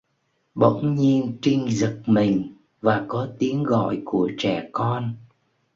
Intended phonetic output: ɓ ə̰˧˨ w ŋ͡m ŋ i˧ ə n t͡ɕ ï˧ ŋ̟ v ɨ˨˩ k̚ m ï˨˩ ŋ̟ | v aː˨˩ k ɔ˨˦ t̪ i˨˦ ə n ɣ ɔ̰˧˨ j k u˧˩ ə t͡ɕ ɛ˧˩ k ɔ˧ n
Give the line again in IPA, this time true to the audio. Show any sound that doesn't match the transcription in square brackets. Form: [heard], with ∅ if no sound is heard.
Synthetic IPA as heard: ɓ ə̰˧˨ w ŋ͡m [ɲ] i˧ ə n t͡ɕ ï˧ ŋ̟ [z] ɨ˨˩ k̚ m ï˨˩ ŋ̟ | v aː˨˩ k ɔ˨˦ t̪ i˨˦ ə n ɣ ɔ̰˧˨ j k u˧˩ ə t͡ɕ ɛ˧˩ k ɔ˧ n